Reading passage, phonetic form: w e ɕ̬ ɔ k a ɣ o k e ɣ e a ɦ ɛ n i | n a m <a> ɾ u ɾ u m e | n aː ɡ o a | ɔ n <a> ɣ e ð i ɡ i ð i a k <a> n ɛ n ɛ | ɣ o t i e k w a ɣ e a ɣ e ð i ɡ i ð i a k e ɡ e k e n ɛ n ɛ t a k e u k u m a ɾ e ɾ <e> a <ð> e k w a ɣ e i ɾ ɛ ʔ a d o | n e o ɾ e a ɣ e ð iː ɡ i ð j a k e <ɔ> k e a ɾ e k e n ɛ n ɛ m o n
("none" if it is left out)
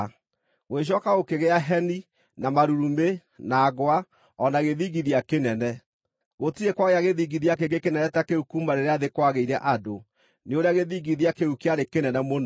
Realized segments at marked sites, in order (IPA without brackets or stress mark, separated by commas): a, a, e, e, ð, u